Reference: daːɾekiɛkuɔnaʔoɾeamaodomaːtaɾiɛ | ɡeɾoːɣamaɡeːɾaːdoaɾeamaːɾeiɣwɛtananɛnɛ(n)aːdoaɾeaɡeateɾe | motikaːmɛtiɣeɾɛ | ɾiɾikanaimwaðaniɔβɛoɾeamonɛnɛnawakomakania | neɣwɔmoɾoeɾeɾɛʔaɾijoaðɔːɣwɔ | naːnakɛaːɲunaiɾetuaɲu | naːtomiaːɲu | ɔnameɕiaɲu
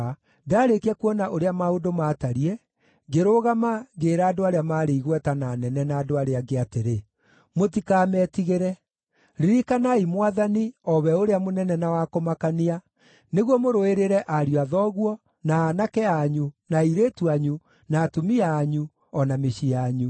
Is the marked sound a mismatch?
no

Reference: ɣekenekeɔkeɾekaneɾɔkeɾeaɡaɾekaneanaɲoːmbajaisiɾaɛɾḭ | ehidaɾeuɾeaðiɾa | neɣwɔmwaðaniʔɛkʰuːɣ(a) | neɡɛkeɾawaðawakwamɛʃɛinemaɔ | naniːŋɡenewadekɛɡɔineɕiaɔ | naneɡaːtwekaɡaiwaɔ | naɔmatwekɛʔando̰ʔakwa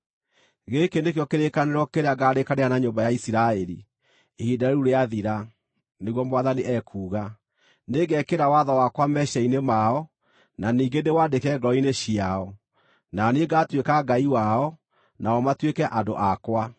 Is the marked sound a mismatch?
no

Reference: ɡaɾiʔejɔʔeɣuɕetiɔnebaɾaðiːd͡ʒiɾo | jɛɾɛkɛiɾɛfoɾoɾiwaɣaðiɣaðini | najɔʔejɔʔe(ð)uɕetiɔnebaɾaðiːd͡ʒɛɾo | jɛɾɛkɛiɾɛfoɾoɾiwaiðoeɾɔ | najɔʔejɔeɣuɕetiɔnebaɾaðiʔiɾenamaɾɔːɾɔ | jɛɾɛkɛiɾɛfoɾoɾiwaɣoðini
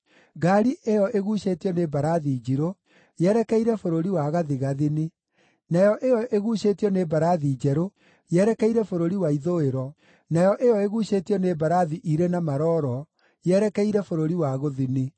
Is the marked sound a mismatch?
yes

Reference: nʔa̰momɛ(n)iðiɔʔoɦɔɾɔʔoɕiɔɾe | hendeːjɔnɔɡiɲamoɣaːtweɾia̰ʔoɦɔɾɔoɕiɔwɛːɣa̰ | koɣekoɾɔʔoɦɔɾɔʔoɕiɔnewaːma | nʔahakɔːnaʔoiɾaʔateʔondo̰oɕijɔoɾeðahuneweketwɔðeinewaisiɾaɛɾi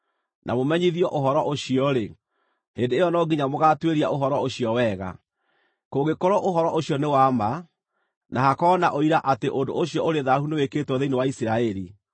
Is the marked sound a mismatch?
yes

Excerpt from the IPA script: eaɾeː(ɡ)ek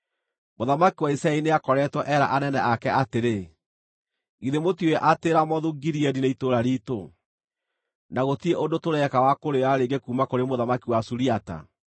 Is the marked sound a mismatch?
no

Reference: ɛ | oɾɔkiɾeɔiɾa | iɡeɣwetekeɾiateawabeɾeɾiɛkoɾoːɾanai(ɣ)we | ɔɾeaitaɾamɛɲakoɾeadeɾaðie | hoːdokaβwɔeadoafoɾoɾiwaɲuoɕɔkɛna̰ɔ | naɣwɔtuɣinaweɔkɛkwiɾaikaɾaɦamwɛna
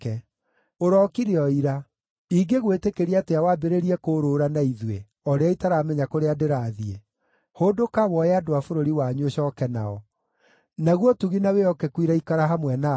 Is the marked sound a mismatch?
yes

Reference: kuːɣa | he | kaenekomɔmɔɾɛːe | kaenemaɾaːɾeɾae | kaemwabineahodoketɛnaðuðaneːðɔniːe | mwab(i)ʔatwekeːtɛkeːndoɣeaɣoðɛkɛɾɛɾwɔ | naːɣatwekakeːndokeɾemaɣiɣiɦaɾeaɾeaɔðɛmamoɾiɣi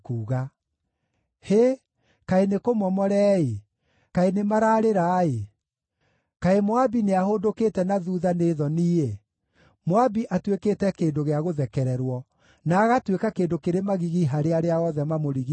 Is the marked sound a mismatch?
no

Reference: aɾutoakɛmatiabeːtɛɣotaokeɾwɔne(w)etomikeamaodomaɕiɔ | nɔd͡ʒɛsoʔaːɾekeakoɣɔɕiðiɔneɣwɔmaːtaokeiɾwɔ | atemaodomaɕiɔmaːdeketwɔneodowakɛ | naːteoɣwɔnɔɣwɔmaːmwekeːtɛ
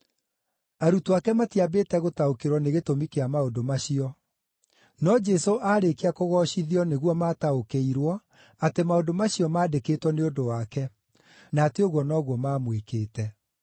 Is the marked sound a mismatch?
yes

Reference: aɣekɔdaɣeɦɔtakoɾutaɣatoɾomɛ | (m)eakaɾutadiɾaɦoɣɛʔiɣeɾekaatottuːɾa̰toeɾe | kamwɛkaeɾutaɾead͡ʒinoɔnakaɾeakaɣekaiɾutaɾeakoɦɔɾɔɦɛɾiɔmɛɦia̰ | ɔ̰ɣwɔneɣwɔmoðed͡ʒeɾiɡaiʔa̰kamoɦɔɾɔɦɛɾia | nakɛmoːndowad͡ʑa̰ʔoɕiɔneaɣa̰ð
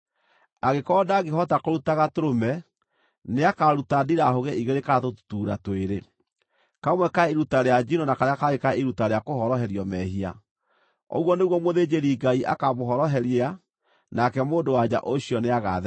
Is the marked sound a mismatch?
yes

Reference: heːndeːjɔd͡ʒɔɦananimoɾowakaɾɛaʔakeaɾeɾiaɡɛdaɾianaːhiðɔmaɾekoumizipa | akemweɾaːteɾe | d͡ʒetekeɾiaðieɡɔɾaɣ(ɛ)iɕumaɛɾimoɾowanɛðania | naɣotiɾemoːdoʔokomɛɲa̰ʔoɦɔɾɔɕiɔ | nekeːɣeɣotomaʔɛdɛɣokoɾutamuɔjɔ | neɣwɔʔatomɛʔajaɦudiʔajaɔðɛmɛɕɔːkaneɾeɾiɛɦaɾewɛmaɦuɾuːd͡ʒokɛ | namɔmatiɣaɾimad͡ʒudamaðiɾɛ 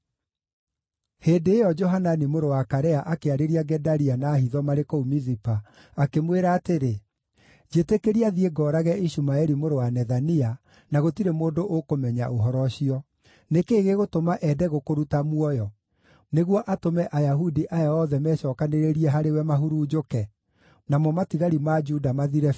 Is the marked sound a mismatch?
no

